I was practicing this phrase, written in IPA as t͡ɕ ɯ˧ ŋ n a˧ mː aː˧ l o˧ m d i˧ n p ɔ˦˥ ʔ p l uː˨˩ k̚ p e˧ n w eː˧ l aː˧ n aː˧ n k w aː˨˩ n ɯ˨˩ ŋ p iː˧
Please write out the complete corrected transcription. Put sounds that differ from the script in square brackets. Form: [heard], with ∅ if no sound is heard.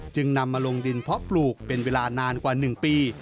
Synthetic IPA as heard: t͡ɕ ɯ˧ ŋ n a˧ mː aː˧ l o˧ [ŋ] d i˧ n [pʰ] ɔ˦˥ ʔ p l uː˨˩ k̚ p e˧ n w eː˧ l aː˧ n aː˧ n k w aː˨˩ n ɯ˨˩ ŋ p iː˧